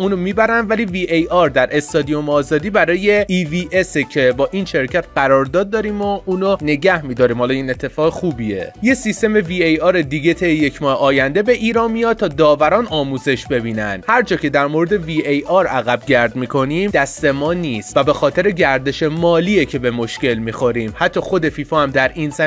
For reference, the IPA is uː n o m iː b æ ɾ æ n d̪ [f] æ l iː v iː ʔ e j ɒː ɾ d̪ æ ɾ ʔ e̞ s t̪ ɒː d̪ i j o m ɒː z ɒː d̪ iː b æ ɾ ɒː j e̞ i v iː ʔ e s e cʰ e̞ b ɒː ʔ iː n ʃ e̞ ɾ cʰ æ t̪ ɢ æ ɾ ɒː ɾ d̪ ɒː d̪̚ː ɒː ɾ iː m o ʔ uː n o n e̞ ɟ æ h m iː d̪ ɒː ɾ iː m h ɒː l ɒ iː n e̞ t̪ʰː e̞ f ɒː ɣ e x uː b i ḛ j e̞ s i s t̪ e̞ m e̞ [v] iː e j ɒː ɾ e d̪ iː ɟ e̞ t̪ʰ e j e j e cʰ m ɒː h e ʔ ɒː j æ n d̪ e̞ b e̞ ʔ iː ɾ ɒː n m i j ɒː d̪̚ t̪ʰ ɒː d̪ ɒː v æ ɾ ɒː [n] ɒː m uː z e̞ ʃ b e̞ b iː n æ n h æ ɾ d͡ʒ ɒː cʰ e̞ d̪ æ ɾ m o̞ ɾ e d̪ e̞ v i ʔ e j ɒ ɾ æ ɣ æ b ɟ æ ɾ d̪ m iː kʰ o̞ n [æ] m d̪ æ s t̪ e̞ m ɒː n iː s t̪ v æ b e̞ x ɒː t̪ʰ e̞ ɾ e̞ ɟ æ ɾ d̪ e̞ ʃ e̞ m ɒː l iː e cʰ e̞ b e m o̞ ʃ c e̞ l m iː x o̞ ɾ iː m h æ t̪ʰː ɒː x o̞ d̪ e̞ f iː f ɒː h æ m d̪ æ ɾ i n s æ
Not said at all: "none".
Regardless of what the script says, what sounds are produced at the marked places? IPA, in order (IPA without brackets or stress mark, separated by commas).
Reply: v, v, n, i